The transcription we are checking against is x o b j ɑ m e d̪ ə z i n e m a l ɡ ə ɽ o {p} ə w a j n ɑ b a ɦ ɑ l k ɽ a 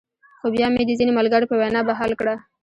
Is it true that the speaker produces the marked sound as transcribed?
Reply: yes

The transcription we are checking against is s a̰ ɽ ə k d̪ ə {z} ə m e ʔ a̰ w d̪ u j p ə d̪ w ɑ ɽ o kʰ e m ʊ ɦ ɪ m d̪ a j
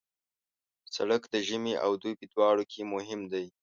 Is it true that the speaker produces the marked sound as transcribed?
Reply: no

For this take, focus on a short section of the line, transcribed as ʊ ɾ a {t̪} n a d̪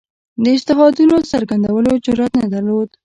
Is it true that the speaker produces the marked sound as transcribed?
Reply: yes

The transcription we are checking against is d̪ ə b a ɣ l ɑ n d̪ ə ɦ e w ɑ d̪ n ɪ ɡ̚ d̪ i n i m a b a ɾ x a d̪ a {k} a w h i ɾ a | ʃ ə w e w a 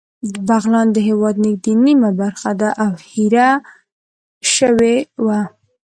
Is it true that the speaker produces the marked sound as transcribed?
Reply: no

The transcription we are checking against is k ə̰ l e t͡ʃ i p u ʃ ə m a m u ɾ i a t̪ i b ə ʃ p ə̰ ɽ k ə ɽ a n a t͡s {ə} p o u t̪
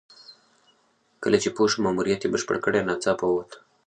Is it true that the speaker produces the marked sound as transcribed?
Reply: no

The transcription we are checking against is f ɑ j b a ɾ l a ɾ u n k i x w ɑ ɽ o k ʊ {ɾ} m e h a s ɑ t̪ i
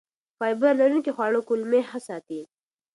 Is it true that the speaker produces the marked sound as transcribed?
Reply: no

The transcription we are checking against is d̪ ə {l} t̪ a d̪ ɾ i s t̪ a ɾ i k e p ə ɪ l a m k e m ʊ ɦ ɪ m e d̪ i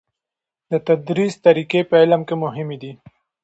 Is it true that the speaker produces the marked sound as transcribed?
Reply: no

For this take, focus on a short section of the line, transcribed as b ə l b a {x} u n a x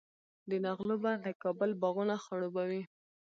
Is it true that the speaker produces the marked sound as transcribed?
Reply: no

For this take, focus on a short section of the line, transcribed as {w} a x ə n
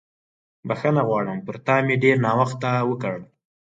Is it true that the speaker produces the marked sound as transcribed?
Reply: no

